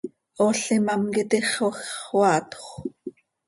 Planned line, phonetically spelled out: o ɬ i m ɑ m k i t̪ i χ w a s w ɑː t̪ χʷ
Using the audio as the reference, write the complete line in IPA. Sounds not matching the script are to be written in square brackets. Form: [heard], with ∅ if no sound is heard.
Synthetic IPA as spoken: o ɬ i m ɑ m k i t̪ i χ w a [x] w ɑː t̪ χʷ